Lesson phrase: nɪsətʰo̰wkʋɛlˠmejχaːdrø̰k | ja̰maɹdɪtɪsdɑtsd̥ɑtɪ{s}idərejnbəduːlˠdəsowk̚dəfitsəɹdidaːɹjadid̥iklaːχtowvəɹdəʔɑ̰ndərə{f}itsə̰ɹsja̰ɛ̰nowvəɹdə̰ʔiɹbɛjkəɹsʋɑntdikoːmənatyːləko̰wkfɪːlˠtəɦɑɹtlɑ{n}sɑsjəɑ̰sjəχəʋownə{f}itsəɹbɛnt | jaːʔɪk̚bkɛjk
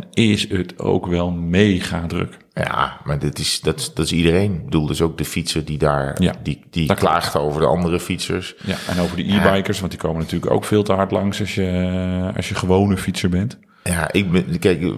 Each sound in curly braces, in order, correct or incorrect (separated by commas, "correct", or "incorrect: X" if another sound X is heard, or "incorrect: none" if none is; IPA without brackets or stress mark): correct, correct, incorrect: ŋ, correct